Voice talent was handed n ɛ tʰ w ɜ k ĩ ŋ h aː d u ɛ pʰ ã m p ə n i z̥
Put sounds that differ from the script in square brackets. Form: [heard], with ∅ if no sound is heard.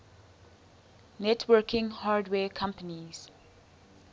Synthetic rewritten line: n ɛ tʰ w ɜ k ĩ ŋ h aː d [w] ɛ [kʰ] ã m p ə n i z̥